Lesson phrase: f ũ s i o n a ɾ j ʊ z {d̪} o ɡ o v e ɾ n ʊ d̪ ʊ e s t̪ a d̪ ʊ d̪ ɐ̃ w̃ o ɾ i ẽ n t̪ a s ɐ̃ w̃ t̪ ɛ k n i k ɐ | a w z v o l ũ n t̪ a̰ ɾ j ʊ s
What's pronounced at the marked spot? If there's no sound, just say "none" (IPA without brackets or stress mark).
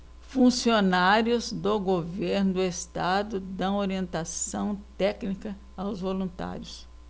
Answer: d̪